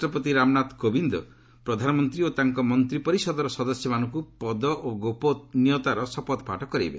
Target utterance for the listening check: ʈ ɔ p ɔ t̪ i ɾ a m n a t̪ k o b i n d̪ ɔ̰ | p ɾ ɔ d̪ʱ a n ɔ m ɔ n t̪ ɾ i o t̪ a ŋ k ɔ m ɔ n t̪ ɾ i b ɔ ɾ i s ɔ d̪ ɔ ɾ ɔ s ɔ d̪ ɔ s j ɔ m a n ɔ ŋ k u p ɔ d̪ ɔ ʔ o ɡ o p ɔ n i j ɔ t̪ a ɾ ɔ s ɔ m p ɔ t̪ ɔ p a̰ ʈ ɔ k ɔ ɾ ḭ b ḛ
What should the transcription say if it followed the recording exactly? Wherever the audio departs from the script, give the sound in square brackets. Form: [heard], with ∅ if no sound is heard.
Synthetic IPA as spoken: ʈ ɔ p ɔ t̪ i ɾ a m n a t̪ k o b i n d̪ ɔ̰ | p ɾ ɔ d̪ʱ a n ɔ m ɔ n t̪ ɾ i o t̪ a ŋ k ɔ m ɔ n t̪ ɾ i [p] ɔ ɾ i s ɔ d̪ ɔ ɾ ɔ s ɔ d̪ ɔ s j ɔ m a n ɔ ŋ k u p ɔ d̪ ɔ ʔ o ɡ o p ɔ n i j ɔ t̪ a ɾ ɔ s ɔ [∅] p ɔ t̪ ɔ p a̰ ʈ ɔ k ɔ ɾ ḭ b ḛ